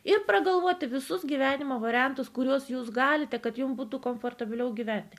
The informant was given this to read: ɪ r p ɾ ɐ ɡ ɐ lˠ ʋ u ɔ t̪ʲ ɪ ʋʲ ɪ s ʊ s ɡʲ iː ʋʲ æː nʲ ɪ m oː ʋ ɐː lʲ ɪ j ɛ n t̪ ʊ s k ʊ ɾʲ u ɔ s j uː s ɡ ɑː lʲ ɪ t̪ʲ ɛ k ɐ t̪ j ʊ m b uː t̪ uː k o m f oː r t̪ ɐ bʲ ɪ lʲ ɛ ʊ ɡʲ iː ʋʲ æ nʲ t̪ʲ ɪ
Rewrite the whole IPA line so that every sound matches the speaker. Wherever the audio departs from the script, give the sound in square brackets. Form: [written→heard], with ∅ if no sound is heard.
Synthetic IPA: ɪ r p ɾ ɐ ɡ ɐ lˠ ʋ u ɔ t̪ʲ ɪ ʋʲ ɪ s ʊ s ɡʲ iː ʋʲ æː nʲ ɪ m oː ʋ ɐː [lʲ→ɾʲ] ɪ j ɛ n t̪ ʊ s k ʊ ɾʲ u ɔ s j uː s ɡ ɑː lʲ ɪ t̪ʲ ɛ k ɐ t̪ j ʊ m b uː t̪ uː k o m f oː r t̪ ɐ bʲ ɪ lʲ ɛ ʊ ɡʲ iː ʋʲ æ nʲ t̪ʲ ɪ